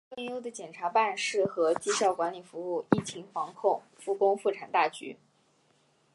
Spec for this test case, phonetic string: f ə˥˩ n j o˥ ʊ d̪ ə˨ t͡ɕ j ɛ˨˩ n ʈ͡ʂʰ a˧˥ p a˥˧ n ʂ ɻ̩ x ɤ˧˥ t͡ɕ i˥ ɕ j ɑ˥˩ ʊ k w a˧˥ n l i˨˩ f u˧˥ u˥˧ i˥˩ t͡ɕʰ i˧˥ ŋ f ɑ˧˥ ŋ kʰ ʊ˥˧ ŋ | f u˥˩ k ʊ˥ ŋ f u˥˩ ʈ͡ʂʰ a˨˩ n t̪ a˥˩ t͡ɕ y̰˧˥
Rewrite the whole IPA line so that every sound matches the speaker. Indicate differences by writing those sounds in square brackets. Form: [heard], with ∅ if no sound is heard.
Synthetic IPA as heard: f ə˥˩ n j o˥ ʊ d̪ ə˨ t͡ɕ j ɛ˨˩ n ʈ͡ʂʰ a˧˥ p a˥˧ n ʂ ɻ̩ x ɤ˧˥ t͡ɕ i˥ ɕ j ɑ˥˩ ʊ k w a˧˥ n l i˨˩ f u˧˥ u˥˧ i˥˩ t͡ɕʰ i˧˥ ŋ f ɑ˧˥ ŋ kʰ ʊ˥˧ ŋ | f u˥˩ k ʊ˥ ŋ f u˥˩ ʈ͡ʂʰ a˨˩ n t̪ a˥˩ t͡ɕ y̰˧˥